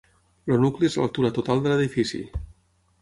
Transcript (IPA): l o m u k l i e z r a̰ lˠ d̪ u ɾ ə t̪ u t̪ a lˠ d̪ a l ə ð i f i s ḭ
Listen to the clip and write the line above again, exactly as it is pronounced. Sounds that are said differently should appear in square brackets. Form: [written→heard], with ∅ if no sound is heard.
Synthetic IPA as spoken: l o [m→n] u k l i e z [r→l] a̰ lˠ [d̪→t̪] u ɾ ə t̪ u t̪ a lˠ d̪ [a→ə] l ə ð i f i s ḭ